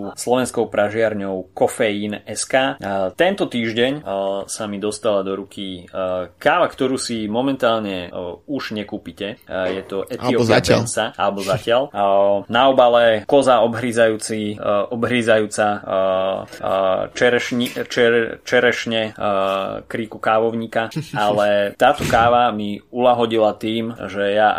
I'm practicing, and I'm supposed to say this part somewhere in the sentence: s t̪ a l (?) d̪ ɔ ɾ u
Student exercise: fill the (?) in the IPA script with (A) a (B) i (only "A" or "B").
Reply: A